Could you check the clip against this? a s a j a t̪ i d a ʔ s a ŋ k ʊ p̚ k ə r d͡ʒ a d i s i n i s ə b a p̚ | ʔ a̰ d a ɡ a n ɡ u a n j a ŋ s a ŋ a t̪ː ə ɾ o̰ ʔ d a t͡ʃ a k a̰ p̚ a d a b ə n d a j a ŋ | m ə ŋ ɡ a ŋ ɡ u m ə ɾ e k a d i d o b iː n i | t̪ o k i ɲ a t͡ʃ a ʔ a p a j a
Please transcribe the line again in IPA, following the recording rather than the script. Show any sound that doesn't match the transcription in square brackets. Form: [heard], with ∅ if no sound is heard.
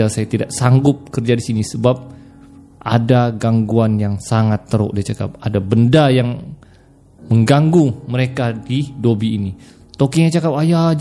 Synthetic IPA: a s a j a t̪ i d a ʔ s a ŋ [ɡ] ʊ p̚ k ə r d͡ʒ a d i s i n i s ə b a p̚ | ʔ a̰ d a ɡ a [ŋ] ɡ u a n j a ŋ s a ŋ a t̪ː ə ɾ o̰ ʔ d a t͡ʃ a k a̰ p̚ a d a b ə n d a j a ŋ | m ə ŋ ɡ a ŋ ɡ u m ə ɾ e k a d i d o b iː n i | t̪ o k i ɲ a t͡ʃ a [k] a p a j a